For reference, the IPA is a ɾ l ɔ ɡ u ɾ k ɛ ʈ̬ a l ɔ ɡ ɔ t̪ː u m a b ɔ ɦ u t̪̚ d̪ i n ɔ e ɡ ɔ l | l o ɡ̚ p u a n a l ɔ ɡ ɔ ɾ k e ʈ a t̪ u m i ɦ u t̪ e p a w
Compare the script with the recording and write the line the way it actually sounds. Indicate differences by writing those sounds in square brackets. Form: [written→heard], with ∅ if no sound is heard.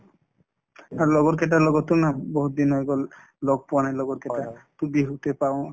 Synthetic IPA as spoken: a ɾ l ɔ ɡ [u→ɔ] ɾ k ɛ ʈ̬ a l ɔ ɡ ɔ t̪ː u [m→n] a b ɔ ɦ u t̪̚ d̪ i n ɔ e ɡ ɔ l | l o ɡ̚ p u a n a l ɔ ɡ ɔ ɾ k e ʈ a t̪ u [m→b] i ɦ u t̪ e p a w